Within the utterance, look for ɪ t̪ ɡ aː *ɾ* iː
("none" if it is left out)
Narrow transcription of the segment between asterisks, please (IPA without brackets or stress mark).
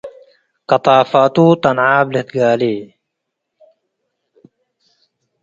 l